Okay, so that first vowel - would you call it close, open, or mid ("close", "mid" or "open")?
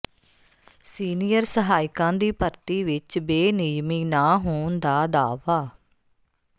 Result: close